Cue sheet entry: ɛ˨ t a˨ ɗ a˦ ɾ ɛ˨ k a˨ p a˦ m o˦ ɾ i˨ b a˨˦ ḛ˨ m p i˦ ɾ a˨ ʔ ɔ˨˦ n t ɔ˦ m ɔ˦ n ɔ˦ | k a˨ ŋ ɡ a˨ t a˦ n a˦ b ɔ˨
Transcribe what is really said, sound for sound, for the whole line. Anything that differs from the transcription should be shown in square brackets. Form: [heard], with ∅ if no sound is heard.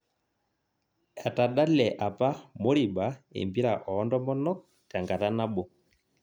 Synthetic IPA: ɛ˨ t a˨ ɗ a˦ [l] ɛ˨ [ʔ] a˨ p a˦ m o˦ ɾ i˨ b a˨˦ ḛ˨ m [b] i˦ ɾ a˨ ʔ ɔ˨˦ n [d] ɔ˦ m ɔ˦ n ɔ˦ | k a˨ ŋ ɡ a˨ t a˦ n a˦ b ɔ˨